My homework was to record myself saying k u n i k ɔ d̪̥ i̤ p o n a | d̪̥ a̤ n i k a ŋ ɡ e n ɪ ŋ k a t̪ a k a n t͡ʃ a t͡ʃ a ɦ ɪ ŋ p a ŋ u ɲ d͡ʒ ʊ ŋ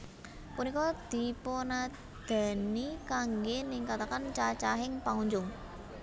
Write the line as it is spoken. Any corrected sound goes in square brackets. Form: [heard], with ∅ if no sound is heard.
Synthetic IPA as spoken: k u n i k ɔ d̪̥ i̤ p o n a | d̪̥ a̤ n i k a ŋ ɡ e n ɪ ŋ k a t̪ a k a n t͡ʃ a t͡ʃ a ɦ ɪ ŋ p a ŋ u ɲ d͡ʒ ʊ ŋ